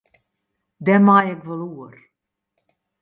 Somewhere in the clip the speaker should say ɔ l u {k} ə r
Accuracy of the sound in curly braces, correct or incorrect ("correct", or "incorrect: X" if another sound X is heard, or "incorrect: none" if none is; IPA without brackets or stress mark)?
incorrect: none